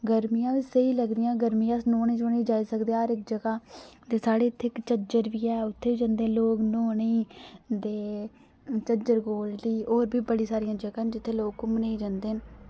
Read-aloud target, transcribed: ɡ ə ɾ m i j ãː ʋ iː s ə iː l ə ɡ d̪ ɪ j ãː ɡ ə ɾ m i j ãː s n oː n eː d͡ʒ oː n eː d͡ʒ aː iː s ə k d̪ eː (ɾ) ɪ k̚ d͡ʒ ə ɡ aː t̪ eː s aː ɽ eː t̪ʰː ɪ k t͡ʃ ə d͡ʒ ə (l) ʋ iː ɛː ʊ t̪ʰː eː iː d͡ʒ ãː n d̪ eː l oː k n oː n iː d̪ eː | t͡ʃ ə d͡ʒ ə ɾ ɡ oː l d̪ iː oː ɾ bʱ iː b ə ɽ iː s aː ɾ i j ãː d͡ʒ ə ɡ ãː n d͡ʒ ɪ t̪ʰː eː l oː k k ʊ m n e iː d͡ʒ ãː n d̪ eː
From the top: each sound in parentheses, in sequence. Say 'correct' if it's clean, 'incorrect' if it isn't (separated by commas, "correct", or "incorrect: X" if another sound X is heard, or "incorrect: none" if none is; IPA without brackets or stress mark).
correct, incorrect: ɾ